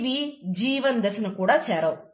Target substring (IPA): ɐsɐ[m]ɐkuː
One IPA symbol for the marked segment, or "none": n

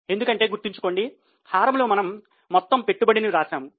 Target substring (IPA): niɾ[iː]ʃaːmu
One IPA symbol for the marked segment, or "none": aː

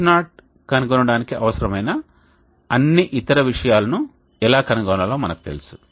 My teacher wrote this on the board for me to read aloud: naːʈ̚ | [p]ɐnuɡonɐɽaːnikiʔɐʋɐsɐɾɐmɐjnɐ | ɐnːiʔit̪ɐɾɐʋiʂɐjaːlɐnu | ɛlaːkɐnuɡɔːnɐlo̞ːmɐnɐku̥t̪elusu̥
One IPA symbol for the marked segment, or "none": k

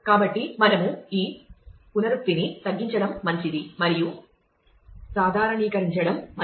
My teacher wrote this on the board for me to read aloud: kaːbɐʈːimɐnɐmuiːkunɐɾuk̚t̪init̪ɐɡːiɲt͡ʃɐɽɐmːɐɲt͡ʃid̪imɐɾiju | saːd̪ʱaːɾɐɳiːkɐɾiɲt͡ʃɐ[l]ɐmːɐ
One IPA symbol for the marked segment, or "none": ɽ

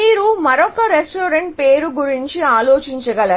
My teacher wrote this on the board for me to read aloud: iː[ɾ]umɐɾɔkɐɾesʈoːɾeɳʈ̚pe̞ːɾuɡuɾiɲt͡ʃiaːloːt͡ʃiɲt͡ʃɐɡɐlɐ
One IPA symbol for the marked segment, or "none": ɾ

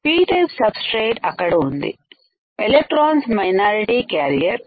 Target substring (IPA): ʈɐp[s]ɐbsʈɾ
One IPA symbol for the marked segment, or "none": s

